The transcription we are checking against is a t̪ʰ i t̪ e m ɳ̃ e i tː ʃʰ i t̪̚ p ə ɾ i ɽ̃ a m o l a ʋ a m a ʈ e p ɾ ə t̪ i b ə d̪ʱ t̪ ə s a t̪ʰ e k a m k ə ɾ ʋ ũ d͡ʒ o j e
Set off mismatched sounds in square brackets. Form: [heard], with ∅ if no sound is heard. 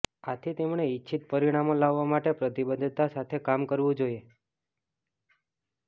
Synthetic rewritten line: a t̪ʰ i t̪ e m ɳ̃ e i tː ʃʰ i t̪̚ p ə ɾ i ɽ̃ a m o l a [ʋː] a m a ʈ e p ɾ ə t̪ i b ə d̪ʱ t̪ [a] s a t̪ʰ e k a m k ə ɾ ʋ ũ d͡ʒ o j e